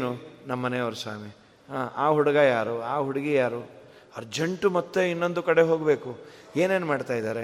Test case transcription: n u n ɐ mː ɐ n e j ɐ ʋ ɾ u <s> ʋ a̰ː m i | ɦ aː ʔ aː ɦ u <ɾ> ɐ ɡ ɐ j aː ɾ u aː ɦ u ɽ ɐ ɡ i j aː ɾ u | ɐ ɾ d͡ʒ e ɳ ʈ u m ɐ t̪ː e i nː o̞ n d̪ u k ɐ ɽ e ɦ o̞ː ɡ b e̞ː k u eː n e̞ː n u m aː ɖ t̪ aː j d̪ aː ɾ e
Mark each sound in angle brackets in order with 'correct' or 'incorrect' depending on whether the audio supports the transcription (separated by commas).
correct, incorrect